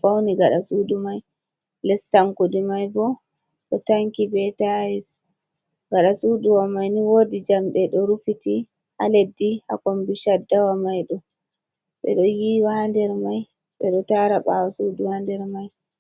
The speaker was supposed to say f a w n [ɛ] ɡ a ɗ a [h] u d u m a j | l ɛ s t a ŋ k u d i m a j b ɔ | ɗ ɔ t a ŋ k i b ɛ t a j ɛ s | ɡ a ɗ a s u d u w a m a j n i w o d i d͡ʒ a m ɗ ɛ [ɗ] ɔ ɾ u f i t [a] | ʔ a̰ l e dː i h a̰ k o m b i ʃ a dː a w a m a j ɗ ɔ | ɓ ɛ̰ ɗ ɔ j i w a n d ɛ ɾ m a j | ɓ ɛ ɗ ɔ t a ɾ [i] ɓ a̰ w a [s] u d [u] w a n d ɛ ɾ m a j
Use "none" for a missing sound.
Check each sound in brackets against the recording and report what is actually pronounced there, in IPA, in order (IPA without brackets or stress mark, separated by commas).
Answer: i, s, ɗ, i, a, s, u